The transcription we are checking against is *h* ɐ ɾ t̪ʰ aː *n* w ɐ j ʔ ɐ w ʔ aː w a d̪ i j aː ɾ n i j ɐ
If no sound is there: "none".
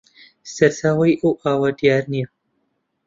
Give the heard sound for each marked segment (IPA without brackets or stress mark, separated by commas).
s, none